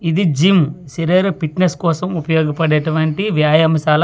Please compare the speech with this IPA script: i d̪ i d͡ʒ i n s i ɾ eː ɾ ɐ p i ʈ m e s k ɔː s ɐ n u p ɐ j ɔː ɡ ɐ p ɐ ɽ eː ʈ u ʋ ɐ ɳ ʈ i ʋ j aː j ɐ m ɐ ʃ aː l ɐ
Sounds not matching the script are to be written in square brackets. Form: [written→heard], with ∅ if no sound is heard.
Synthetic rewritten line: i d̪ i d͡ʒ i [n→m] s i ɾ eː ɾ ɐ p i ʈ [m→n] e s k ɔː s ɐ [n→m] u p ɐ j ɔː ɡ ɐ p ɐ ɽ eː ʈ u ʋ ɐ ɳ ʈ i ʋ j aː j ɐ m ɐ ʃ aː l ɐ